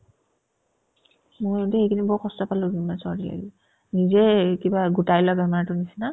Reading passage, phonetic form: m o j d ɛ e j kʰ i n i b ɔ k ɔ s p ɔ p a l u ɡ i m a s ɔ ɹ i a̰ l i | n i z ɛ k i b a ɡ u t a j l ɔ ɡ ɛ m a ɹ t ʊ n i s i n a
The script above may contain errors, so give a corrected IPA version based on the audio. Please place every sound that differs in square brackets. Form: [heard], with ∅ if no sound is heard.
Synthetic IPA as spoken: m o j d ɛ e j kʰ i n i b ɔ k ɔ s [t] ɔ p a l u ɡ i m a s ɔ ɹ i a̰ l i | n i z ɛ k i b a ɡ u t a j l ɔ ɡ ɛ m a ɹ t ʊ n i s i n a